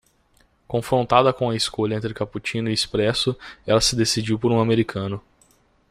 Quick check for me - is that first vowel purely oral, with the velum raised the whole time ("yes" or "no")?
no